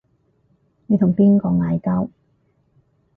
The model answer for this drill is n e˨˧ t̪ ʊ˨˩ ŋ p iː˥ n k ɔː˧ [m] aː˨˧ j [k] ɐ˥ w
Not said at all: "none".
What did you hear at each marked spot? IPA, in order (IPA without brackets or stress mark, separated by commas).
ŋ, k